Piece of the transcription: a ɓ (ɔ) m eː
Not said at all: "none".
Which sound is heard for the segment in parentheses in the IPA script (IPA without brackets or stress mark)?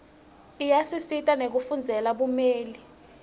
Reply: u